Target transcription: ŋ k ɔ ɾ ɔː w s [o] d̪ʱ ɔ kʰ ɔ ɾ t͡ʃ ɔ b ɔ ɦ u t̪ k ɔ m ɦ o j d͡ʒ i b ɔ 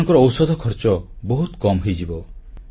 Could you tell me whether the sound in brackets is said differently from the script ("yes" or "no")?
yes